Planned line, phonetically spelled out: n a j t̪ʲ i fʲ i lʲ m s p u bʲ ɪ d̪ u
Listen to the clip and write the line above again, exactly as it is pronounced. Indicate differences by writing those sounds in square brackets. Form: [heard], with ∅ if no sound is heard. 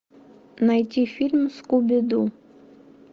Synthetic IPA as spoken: n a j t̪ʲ i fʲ i lʲ m s [k] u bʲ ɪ d̪ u